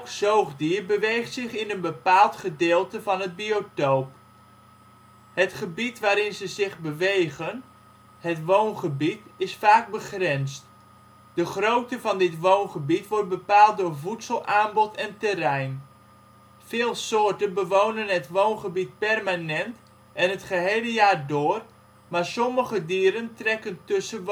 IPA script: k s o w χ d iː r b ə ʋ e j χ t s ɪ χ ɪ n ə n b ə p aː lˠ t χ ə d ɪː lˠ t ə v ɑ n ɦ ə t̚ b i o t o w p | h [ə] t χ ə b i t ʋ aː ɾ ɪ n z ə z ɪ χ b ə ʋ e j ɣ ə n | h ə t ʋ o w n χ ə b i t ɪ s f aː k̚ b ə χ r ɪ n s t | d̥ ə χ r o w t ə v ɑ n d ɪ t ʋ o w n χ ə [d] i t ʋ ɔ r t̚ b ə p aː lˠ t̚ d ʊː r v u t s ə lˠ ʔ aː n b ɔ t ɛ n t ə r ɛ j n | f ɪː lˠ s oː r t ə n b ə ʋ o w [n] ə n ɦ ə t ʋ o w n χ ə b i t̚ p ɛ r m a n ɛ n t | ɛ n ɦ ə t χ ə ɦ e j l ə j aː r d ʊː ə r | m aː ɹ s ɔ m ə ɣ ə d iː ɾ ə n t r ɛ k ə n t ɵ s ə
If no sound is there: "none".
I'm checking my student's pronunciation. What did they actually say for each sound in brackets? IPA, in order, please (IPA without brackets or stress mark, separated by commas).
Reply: ə, b, n